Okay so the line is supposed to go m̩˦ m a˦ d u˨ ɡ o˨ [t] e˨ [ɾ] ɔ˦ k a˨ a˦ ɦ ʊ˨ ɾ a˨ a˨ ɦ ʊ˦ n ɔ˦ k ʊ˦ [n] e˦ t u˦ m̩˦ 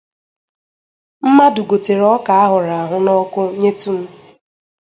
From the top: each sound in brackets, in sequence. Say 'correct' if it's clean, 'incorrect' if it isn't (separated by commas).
correct, correct, incorrect